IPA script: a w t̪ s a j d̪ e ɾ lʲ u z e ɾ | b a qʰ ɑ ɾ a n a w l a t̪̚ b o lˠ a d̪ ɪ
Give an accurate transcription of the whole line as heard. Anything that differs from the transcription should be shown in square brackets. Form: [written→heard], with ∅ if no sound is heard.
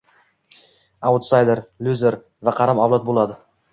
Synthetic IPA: a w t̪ s a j d̪ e ɾ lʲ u z e ɾ | [b→v] a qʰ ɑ ɾ a [n→m] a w l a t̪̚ b o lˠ a d̪ ɪ